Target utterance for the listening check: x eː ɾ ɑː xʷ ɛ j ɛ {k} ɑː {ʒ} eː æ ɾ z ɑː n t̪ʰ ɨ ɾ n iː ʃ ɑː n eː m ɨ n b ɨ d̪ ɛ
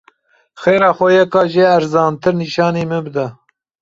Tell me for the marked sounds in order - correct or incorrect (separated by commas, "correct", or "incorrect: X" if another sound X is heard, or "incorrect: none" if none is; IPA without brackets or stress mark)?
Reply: correct, correct